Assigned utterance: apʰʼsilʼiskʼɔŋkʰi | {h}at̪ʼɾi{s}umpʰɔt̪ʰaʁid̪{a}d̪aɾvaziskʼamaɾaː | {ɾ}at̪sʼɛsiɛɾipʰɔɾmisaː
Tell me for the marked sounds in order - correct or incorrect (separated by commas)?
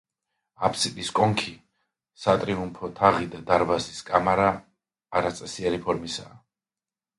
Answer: incorrect, incorrect, correct, correct